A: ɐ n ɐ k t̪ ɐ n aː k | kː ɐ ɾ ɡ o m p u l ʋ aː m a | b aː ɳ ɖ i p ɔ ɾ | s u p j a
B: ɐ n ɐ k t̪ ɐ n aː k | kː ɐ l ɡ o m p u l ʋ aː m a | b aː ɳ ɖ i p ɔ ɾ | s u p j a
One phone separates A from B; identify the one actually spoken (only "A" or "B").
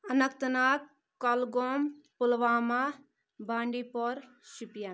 B